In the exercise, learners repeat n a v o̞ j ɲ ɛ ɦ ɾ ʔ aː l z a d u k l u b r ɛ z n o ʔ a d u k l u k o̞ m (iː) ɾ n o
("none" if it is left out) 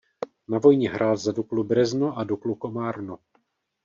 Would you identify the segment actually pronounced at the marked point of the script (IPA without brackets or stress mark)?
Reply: aː